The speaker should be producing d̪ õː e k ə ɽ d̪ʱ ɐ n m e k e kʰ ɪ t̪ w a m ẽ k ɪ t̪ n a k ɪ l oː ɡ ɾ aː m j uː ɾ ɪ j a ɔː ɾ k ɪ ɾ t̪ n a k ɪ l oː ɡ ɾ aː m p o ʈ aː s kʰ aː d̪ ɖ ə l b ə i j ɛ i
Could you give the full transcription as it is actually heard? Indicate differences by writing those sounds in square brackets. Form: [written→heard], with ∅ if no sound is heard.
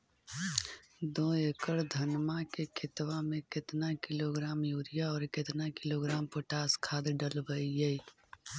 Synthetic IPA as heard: d̪ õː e k ə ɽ d̪ʱ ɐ n m [e→a] k e kʰ ɪ t̪ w a m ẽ k ɪ t̪ n a k ɪ l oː ɡ ɾ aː m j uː ɾ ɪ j a ɔː ɾ k ɪ [ɾ→∅] t̪ n a k ɪ l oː ɡ ɾ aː m p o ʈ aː s kʰ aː d̪ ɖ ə l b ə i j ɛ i

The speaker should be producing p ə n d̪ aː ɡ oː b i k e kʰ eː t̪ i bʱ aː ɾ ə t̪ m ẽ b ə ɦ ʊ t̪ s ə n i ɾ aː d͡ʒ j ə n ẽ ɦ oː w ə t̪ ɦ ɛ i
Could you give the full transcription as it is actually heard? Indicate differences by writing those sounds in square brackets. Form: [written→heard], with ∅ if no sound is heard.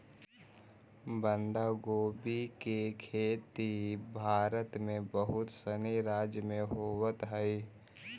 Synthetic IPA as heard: [p→b] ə n d̪ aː ɡ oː b i k e kʰ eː t̪ i bʱ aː ɾ ə t̪ m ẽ b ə ɦ ʊ t̪ s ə n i ɾ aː d͡ʒ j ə [n→m] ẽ ɦ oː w ə t̪ ɦ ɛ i

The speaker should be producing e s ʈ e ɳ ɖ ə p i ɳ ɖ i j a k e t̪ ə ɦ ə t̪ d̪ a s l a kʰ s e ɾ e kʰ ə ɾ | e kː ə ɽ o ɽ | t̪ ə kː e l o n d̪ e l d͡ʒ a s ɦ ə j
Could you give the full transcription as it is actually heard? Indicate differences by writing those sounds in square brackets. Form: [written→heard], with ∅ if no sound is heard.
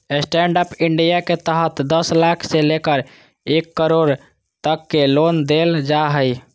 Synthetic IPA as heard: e s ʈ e ɳ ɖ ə p i ɳ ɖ i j a k e t̪ ə ɦ ə t̪ d̪ [a→ə] s l a kʰ s e [ɾ→l] e [kʰ→k] ə ɾ | e kː ə [ɽ→ɾ] o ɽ | t̪ ə kː e l o n d̪ e l d͡ʒ a [s→∅] ɦ ə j

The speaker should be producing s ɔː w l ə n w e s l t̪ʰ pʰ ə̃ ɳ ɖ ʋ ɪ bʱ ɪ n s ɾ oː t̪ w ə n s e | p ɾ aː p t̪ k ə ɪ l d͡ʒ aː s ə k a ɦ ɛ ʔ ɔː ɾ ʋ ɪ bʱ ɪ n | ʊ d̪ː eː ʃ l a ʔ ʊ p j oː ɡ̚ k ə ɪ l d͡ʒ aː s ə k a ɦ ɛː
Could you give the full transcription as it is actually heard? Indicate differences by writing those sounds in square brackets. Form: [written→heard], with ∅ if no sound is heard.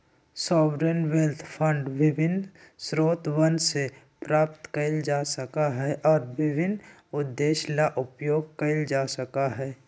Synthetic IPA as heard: s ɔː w [l→ɾ] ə n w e [s→∅] l t̪ʰ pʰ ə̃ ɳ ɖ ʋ ɪ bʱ ɪ n s ɾ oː t̪ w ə n s e | p ɾ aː p t̪ k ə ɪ l d͡ʒ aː s ə k a ɦ ɛ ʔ ɔː ɾ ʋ ɪ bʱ ɪ n | ʊ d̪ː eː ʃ l a ʔ ʊ p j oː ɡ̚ k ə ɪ l d͡ʒ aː s ə k a ɦ ɛː

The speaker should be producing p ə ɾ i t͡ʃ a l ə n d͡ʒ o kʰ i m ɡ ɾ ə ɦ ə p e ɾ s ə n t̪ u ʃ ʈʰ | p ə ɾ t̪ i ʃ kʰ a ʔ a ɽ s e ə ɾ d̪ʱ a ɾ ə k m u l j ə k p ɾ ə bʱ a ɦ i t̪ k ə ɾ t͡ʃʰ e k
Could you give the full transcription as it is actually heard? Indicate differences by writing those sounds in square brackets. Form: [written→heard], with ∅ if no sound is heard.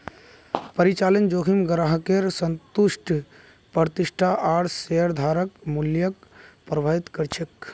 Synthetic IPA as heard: p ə ɾ i t͡ʃ a l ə n d͡ʒ o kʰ i m ɡ ɾ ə ɦ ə [p→k] e ɾ s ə n t̪ u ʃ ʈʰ | p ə ɾ t̪ i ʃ [kʰ→ʈʰ] a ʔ a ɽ s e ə ɾ d̪ʱ a ɾ ə k m u l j ə k p ɾ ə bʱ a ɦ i t̪ k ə ɾ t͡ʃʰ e k

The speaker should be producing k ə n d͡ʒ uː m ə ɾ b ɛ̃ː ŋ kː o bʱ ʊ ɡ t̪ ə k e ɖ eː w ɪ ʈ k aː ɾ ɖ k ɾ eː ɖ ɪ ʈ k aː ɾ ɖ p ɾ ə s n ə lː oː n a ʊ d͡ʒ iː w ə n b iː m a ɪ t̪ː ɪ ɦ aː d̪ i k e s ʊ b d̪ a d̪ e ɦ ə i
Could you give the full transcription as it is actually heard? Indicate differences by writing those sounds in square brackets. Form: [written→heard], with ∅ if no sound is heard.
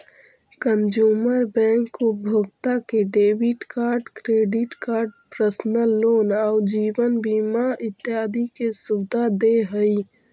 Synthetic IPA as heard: k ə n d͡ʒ uː m ə ɾ b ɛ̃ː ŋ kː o bʱ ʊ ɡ t̪ [ə→a] k e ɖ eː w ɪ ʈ k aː ɾ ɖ k ɾ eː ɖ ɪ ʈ k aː ɾ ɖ p ɾ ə s n ə lː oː n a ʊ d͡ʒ iː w ə n b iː m a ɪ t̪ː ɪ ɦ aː d̪ i k e s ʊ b d̪ a d̪ e ɦ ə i

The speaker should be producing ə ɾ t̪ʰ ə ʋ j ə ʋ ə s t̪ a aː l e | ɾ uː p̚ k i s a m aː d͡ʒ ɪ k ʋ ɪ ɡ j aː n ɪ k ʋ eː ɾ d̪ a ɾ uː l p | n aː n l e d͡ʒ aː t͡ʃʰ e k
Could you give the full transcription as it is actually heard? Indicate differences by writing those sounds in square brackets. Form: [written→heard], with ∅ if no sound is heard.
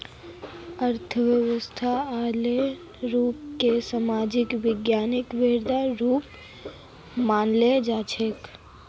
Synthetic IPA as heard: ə ɾ t̪ʰ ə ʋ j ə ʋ ə s [t̪→t̪ʰ] a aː l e | ɾ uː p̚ k [i→e] s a m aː d͡ʒ ɪ k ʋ ɪ ɡ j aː n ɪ k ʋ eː ɾ d̪ a ɾ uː [l→∅] p | [n→m] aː n l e d͡ʒ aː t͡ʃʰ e k

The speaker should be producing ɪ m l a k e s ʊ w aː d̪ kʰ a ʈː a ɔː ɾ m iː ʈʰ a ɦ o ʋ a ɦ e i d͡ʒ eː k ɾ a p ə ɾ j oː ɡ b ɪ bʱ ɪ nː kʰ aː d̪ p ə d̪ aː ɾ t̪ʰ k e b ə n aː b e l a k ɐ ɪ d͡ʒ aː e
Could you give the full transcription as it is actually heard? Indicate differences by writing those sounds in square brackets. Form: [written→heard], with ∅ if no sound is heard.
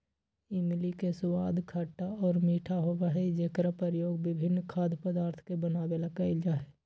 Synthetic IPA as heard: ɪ m l [a→i] k e s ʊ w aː d̪ kʰ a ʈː a ɔː ɾ m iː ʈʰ a ɦ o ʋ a ɦ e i d͡ʒ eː k ɾ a p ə ɾ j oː ɡ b ɪ bʱ ɪ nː kʰ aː d̪ p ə d̪ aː ɾ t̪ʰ k e b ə n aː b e l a k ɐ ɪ d͡ʒ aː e

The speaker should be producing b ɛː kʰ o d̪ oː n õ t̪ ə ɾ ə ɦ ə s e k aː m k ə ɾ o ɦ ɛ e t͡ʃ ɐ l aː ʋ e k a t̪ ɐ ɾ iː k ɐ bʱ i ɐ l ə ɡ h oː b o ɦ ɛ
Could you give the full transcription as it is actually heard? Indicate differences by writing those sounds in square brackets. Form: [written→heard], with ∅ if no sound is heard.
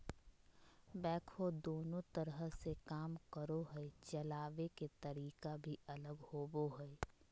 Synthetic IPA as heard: b ɛː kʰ o d̪ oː n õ t̪ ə ɾ ə ɦ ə s e k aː m k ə ɾ o ɦ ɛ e t͡ʃ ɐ l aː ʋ e k [a→e] t̪ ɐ ɾ iː k [ɐ→a] bʱ i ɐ l ə ɡ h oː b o ɦ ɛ

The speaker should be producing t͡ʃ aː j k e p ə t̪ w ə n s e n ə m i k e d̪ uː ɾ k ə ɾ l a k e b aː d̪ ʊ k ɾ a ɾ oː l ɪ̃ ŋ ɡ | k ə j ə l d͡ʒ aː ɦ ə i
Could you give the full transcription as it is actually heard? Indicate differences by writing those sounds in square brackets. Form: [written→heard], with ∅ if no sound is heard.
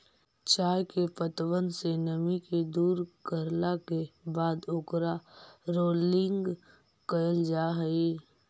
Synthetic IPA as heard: t͡ʃ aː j k e p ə t̪ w ə n s e n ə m i k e d̪ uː ɾ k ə ɾ l a k e b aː d̪ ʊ k ɾ a ɾ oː l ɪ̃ ŋ ɡ | k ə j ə l d͡ʒ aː ɦ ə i

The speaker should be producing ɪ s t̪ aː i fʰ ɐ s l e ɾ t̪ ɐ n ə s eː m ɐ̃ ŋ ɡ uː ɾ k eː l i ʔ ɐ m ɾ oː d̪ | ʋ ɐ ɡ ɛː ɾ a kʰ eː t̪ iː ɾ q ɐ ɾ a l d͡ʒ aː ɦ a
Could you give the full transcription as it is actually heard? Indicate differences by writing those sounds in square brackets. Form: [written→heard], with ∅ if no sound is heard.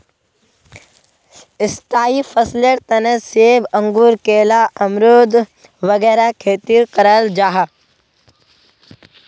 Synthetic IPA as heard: ɪ s t̪ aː i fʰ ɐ s l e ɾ t̪ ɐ n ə s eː [m→b] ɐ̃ ŋ ɡ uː ɾ k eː l [i→a] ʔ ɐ m ɾ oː d̪ | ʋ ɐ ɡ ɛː ɾ a kʰ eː t̪ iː ɾ q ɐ ɾ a l d͡ʒ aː ɦ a

